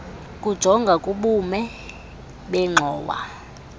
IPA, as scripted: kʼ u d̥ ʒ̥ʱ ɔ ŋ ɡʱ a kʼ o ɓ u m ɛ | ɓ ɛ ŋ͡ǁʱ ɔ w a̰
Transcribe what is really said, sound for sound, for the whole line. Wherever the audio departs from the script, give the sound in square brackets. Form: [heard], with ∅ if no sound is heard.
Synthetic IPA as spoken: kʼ u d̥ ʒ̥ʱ ɔ ŋ ɡʱ a kʼ [u] ɓ u m ɛ | ɓ ɛ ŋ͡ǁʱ [ɔː] w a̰

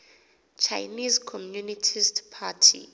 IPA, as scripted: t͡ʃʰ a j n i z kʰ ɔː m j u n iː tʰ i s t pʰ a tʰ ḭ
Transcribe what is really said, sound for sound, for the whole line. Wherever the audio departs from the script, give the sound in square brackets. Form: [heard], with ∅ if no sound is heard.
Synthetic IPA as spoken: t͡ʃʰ a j n i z kʰ [ɔ] m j u n [i] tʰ i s t pʰ a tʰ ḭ

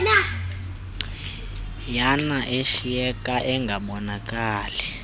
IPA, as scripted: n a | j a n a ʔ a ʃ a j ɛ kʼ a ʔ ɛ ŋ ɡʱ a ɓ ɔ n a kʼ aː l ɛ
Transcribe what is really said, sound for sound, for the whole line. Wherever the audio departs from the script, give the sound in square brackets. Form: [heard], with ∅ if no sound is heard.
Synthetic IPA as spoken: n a | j a n a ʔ [e] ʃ [i] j ɛ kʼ a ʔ ɛ ŋ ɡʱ a ɓ ɔ n a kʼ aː l ɛ

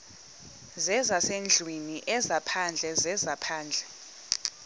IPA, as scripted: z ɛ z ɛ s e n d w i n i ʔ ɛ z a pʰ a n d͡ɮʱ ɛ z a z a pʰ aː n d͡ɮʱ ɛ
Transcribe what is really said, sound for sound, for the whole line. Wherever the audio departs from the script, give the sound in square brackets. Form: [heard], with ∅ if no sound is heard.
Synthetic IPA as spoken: z ɛ z [a] s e n [d͡ɮʱ] w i n i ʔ ɛ z a pʰ a n d͡ɮʱ ɛ z [ɛ] z a pʰ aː n d͡ɮʱ ɛ

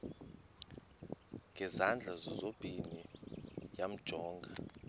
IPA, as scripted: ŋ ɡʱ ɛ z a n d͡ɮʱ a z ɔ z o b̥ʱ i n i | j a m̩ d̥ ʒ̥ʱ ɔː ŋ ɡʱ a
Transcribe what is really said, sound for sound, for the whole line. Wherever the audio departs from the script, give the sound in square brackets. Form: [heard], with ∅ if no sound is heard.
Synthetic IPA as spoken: ŋ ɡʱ ɛ z a n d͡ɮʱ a z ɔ z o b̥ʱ i n i | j a m̩ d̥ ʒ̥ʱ ɔː ŋ ɡʱ a

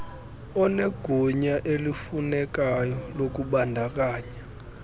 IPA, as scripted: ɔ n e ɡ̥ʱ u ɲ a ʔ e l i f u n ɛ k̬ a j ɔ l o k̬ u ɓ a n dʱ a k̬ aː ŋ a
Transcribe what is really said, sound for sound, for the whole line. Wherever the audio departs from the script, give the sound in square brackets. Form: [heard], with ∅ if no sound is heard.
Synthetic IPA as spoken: ɔ n e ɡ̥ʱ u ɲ a ʔ e l i f u n ɛ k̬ a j ɔ l o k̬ u ɓ a n dʱ a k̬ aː [ɲ] a

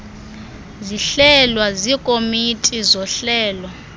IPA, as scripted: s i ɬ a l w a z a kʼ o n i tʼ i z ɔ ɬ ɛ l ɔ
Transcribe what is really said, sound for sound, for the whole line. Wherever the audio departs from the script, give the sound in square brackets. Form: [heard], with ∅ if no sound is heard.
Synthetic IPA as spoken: [z] i ɬ [ɛ] l w a z [i] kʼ o [m] i tʼ i z ɔ ɬ [ɛː] l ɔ

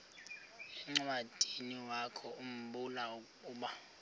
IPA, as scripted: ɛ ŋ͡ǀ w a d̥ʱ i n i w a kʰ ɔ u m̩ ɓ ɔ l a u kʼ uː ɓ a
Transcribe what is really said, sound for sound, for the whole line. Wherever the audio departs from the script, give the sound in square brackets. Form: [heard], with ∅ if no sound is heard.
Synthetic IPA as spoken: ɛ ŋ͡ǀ w a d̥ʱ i n i w a kʰ ɔ u m̩ ɓ [u] l a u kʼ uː ɓ a

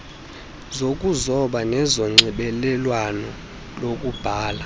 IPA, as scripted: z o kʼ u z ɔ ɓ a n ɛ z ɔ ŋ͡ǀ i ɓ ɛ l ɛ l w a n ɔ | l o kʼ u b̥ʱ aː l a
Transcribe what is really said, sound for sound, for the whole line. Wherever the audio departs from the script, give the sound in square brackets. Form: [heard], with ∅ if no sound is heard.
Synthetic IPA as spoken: z o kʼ u z ɔ ɓ a n ɛ z ɔ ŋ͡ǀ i ɓ ɛ l ɛ l w a n ɔ | l o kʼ u b̥ʱ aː l a

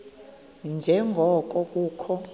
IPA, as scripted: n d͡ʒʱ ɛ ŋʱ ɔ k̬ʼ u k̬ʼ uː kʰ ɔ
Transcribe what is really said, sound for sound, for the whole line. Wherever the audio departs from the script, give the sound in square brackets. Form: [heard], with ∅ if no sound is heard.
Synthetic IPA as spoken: n d͡ʒʱ ɛ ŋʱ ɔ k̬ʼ [ɔ] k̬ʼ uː kʰ ɔ

